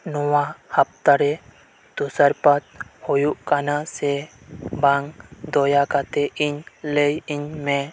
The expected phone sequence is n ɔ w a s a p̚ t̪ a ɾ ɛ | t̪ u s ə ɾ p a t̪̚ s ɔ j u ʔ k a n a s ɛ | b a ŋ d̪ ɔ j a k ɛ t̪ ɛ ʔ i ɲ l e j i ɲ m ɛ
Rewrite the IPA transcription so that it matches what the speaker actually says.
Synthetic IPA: n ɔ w a h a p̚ t̪ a ɾ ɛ | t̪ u s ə ɾ p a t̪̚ h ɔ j u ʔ k a n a s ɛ | b a ŋ d̪ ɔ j a k a t̪ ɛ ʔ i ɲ l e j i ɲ m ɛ